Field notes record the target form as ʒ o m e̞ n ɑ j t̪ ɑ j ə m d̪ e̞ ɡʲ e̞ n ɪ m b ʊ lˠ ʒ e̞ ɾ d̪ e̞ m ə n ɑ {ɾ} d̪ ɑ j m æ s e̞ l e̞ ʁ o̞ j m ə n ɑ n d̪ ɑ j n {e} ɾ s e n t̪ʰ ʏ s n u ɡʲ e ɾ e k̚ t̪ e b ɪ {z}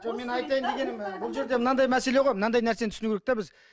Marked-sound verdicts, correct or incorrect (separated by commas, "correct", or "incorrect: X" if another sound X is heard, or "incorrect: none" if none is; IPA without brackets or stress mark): incorrect: none, incorrect: æ, correct